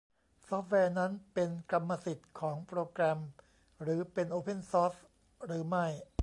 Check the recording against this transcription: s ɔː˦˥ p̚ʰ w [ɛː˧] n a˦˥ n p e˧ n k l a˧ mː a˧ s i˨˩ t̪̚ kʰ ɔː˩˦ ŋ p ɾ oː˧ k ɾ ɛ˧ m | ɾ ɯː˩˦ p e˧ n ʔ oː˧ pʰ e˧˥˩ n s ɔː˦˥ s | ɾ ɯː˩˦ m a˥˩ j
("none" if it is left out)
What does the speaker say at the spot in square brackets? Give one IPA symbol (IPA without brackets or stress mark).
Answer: ɛː˧